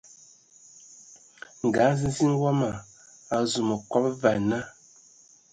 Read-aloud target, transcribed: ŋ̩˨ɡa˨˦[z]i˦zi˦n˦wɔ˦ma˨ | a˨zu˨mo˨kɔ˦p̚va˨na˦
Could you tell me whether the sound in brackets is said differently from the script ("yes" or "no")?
no